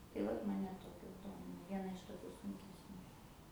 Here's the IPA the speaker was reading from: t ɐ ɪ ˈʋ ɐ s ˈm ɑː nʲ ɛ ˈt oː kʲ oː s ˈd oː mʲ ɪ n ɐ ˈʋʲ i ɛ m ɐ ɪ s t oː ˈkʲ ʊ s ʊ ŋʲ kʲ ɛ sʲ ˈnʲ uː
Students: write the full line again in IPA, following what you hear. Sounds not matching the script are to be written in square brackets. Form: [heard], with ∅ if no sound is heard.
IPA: t ɐ ɪ ˈʋ ɐ [t] ˈm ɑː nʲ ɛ ˈt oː kʲ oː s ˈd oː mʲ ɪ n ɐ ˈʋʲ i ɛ [n] ɐ ɪ [ʃ] t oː ˈkʲ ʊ s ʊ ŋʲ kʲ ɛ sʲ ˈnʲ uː